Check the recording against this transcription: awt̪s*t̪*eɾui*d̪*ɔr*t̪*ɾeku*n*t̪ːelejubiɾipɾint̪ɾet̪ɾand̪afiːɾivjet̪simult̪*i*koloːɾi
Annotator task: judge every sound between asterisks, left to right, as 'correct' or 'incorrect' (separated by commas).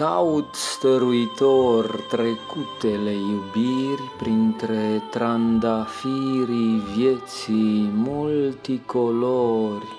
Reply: correct, incorrect, correct, incorrect, correct